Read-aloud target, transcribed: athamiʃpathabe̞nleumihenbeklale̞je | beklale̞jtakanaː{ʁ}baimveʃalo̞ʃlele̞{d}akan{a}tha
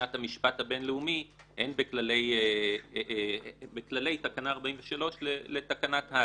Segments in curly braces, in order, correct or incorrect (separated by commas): correct, incorrect, correct